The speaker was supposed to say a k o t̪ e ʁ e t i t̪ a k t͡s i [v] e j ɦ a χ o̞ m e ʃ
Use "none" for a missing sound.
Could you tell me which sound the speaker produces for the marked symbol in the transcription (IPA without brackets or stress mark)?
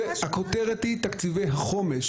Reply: v